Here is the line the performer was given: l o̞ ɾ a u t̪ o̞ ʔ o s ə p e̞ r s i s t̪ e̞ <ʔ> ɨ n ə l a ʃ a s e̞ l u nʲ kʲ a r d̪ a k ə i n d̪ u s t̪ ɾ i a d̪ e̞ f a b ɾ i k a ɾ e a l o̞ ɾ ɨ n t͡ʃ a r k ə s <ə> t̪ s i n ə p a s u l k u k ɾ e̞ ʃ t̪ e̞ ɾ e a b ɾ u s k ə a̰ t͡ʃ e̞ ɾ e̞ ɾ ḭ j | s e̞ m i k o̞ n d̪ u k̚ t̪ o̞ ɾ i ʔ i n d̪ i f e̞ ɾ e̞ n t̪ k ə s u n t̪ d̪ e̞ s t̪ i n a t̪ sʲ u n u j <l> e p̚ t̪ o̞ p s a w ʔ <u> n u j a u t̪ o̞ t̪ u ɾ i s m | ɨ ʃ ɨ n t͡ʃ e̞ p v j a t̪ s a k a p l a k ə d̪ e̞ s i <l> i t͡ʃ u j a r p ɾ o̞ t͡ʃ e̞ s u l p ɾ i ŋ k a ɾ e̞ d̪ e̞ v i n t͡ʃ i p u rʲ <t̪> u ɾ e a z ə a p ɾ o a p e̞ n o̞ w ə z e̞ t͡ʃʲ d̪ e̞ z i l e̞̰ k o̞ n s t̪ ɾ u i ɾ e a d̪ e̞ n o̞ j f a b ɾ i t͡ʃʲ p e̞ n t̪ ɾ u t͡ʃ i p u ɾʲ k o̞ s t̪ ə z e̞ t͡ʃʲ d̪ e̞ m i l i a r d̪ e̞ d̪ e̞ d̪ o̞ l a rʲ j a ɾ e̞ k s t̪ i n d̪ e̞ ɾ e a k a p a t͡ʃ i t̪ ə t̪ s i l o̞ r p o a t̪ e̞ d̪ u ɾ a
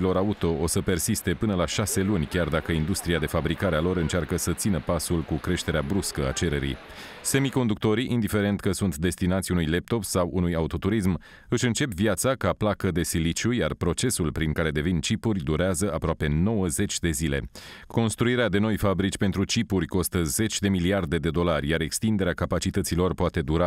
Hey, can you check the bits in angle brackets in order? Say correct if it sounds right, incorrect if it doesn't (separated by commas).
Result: incorrect, correct, correct, correct, correct, incorrect